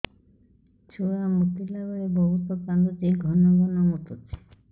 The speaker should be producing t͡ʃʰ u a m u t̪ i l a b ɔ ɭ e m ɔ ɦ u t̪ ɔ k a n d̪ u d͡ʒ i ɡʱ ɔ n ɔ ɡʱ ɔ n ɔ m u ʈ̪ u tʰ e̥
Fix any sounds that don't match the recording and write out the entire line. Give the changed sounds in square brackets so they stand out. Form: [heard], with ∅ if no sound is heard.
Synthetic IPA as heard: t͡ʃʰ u a m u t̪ i l a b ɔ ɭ e [b] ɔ ɦ u t̪ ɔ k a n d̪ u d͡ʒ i ɡʱ ɔ n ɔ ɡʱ ɔ n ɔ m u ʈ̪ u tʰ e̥

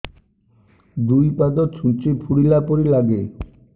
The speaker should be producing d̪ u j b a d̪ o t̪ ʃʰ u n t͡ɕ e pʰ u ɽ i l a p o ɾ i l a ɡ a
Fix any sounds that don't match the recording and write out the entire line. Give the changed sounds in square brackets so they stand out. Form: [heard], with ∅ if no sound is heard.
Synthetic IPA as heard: d̪ u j [p] a d̪ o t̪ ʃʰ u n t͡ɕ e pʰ u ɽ i l a p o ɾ i l a ɡ [e]

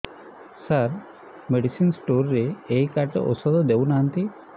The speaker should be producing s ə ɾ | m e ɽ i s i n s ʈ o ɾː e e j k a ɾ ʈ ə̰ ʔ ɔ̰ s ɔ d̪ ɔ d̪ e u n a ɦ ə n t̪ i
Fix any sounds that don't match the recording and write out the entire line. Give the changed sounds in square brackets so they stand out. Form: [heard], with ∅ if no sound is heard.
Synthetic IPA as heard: s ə ɾ | m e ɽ i s i n s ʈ o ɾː e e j k a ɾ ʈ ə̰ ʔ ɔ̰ s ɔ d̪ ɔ d̪ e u n a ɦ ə n t̪ i

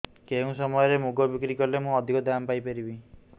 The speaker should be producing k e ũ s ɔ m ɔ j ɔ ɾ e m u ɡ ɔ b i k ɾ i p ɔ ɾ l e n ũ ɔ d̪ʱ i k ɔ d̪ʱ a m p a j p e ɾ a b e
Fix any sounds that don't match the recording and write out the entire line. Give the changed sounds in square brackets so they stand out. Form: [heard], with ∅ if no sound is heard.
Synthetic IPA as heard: k e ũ s ɔ m ɔ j ɔ ɾ e m u ɡ ɔ b i k ɾ i [k] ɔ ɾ l e [m] ũ ɔ d̪ʱ i k ɔ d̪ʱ a m p a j p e ɾ [i] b [i]

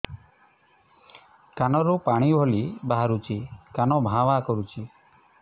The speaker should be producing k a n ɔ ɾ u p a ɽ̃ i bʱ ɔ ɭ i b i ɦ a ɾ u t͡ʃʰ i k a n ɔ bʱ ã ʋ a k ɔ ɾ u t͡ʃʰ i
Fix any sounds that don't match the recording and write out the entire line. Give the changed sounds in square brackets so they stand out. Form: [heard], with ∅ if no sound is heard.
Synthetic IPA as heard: k a n ɔ ɾ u p a ɽ̃ i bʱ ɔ [l] i b [a] ɦ a ɾ u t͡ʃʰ i k a n ɔ bʱ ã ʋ a k ɔ ɾ u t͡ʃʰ i

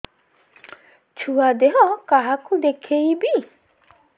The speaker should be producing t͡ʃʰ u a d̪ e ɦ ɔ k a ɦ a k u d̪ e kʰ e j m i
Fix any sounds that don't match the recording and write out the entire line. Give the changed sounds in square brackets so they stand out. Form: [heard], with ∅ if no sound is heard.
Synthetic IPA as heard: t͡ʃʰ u a d̪ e ɦ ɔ k a ɦ a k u d̪ e kʰ e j [b] i

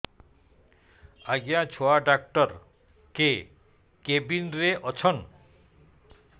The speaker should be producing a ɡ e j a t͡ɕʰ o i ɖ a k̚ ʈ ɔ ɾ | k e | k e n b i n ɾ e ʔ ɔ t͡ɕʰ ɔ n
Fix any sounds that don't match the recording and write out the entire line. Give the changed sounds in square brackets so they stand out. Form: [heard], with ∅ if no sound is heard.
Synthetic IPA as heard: a ɡ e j a t͡ɕʰ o [a] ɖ a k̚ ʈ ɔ ɾ | k e | k e [∅] b i n ɾ e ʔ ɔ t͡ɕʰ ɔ n

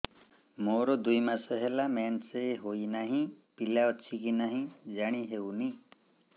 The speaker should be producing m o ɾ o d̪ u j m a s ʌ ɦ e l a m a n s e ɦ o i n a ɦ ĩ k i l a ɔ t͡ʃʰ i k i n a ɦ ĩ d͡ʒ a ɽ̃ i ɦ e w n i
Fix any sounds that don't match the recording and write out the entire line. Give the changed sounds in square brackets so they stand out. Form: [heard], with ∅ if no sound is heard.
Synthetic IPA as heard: m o ɾ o d̪ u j m a s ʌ ɦ e l a m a n s e ɦ o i n a ɦ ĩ [p] i l a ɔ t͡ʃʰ i k i n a ɦ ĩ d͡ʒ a ɽ̃ i ɦ e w n i

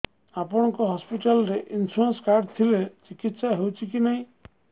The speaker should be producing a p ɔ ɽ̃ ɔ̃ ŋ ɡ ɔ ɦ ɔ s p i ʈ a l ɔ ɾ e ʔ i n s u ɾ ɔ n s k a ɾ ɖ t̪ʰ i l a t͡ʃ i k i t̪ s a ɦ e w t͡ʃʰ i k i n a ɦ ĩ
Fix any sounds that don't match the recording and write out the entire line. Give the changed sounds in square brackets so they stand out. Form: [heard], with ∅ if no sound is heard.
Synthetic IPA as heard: a p ɔ ɽ̃ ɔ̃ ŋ [k] ɔ ɦ ɔ s p i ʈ a l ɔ ɾ e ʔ i n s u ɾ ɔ n s k a ɾ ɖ t̪ʰ i l [e] t͡ʃ i k i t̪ s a ɦ e w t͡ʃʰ i k i n a ɦ ĩ

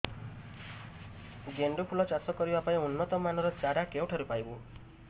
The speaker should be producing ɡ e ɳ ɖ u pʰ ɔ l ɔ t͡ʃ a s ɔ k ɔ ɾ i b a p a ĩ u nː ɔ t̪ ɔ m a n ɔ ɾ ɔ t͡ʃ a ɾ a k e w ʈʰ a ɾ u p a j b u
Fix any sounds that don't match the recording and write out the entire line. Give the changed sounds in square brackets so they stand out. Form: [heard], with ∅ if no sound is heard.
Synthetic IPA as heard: ɡ e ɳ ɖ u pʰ [u] l ɔ t͡ʃ a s ɔ k ɔ ɾ i b a p a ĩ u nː ɔ t̪ ɔ m a n ɔ ɾ ɔ t͡ʃ a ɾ a k e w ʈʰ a ɾ u p a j b u

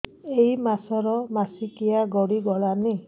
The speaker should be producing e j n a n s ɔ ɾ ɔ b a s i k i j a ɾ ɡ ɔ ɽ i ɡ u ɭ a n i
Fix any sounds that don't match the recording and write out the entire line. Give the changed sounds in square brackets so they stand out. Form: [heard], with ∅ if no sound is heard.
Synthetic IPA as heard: e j [m] a [∅] s ɔ ɾ ɔ [m] a s i k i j a [∅] ɡ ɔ ɽ i ɡ [ɔ] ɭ a n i

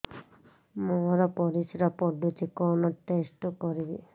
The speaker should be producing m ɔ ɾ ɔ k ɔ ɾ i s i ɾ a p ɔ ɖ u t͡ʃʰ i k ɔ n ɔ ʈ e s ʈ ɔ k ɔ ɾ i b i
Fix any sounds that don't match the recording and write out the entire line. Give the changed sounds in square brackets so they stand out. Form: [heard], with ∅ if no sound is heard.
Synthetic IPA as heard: m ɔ ɾ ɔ [p] ɔ ɾ i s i ɾ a p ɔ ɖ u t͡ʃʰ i k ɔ n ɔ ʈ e s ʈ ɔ k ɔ ɾ i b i

